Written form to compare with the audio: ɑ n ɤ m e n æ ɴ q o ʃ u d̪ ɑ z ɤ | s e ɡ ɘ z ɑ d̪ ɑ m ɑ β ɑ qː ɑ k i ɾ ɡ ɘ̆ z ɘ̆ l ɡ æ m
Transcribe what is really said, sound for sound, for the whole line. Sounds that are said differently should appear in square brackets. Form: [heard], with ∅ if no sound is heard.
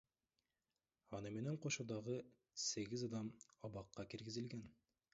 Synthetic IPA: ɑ n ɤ m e n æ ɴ q o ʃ u d̪ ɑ [ʁ] ɤ | s e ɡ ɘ z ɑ d̪ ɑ m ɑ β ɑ qː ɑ k i ɾ ɡ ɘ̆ z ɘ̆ l ɡ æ [n]